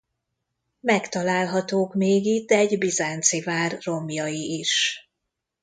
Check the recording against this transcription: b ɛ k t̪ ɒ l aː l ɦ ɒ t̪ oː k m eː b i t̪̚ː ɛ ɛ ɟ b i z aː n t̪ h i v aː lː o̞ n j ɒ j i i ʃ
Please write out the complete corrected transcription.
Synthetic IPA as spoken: m ɛ k t̪ ɒ l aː l ɦ ɒ t̪ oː k m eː ɡ i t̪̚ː ɛ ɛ ɟ b i z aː n t̪ s i v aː rː o̞ m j ɒ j i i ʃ